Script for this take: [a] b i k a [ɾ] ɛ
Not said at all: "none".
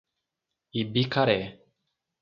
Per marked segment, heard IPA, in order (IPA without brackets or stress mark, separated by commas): i, ɾ